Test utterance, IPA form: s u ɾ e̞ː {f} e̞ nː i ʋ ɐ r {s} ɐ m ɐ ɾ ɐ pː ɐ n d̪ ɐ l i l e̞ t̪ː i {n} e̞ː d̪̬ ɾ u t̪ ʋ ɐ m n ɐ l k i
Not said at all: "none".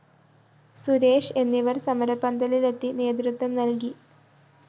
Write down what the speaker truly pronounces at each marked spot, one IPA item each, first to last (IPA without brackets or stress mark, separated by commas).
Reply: ʂ, s, n